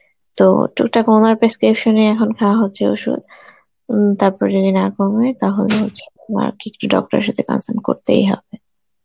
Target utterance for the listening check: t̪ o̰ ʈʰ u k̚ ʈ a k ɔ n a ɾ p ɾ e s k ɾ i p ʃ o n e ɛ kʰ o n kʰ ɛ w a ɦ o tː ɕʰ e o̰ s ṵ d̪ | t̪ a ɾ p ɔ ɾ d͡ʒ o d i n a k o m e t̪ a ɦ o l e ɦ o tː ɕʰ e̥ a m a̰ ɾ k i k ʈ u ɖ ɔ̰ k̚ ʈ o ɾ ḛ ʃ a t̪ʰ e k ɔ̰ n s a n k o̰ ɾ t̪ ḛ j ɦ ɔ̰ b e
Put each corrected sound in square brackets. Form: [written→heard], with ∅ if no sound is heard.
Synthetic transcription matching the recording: t̪ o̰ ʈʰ u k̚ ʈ a k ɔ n a ɾ p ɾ e s k ɾ i p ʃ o n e ɛ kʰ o n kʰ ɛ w a ɦ o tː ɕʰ e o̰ [s→ʃ] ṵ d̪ | t̪ a ɾ p ɔ ɾ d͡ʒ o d i n a k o m e t̪ a ɦ o l e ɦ o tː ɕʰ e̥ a m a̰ ɾ k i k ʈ u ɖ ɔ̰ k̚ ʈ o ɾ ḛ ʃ a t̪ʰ e k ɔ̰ n s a n k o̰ ɾ t̪ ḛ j ɦ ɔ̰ b e